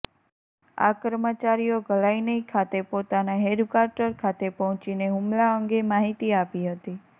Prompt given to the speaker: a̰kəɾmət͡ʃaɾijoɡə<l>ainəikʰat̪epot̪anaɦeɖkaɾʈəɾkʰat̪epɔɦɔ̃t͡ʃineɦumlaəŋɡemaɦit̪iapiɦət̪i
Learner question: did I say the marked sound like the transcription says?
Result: yes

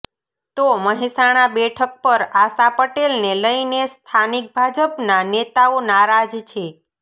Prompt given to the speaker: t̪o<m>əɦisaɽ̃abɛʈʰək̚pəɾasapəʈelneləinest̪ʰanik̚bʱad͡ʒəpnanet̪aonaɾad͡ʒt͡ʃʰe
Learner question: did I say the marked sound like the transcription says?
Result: yes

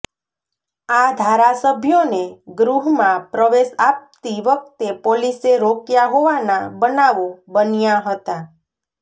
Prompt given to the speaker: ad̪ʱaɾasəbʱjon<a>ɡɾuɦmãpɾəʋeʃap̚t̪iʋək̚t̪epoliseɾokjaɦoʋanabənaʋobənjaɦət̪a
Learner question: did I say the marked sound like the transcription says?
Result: no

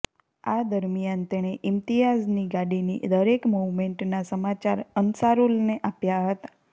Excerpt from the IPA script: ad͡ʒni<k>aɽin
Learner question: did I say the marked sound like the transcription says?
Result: no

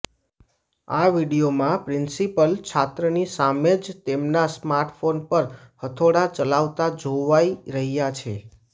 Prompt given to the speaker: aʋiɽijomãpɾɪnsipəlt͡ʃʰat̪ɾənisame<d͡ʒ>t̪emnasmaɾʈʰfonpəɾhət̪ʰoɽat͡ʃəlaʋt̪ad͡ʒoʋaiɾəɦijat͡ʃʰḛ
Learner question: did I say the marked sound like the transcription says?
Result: yes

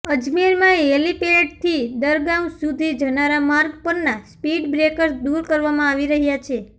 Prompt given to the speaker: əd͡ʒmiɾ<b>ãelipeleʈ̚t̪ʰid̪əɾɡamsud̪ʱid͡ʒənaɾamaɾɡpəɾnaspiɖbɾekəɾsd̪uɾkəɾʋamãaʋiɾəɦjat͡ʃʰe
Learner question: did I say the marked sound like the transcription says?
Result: no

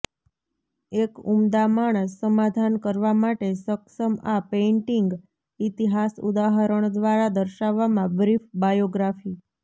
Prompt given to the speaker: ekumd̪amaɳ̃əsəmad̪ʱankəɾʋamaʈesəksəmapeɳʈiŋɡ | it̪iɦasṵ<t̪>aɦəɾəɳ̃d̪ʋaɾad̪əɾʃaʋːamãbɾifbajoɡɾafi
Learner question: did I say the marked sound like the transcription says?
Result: no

